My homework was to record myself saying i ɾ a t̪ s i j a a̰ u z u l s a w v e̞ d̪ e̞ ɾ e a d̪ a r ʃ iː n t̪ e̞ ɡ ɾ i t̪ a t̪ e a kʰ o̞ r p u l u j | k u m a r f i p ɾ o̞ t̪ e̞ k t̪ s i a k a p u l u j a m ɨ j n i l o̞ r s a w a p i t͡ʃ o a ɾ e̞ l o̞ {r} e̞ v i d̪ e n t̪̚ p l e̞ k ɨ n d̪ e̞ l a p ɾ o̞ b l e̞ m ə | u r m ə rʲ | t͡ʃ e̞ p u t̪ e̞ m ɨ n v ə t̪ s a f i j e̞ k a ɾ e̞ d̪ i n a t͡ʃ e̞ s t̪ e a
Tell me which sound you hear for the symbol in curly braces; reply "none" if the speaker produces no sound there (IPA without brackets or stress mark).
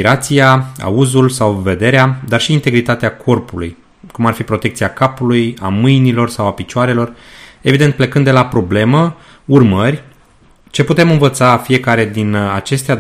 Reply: r